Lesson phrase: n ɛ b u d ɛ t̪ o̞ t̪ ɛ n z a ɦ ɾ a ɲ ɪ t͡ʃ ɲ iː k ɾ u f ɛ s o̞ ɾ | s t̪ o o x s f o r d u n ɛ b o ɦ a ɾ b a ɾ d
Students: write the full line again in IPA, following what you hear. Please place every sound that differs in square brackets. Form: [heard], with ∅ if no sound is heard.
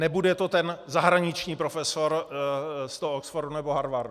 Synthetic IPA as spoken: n ɛ b u d ɛ t̪ o̞ t̪ ɛ n z a ɦ ɾ a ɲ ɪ t͡ʃ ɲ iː [p] ɾ [o] f ɛ s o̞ ɾ | s t̪ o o [k] s f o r d u n ɛ b o ɦ a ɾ [v] a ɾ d